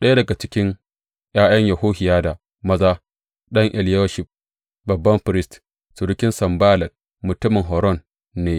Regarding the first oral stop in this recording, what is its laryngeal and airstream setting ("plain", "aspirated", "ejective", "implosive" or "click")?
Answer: implosive